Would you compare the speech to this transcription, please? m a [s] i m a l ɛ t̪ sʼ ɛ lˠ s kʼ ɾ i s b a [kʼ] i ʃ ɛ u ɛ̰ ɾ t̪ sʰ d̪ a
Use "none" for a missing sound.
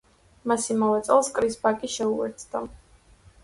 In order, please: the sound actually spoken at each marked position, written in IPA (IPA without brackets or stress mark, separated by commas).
s, kʼ